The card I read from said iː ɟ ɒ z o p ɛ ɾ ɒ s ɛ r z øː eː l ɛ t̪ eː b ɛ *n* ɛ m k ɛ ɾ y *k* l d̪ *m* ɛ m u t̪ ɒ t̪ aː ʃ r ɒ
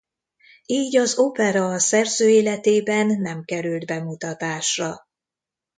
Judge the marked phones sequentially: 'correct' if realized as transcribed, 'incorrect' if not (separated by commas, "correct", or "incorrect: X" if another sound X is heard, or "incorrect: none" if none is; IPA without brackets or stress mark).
incorrect: nː, incorrect: none, incorrect: b